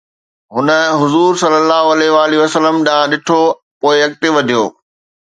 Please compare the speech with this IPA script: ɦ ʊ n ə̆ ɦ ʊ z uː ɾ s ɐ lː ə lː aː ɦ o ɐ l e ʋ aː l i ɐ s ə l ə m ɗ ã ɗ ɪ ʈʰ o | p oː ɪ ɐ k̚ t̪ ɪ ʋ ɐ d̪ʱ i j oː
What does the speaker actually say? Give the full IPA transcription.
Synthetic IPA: ɦ ʊ n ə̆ ɦ ʊ z uː ɾ s ɐ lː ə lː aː ɦ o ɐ l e ʋ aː l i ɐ s ə l ə m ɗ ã ɗ ɪ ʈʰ o | p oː ɪ ɐ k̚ t̪ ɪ ʋ ɐ d̪ʱ i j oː